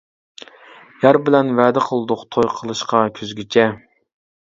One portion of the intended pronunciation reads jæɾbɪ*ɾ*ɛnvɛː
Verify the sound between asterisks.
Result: incorrect: l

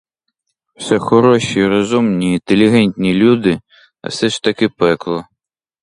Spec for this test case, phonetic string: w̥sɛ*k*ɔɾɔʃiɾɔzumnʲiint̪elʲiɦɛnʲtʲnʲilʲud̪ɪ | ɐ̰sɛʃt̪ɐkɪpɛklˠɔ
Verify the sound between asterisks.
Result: incorrect: x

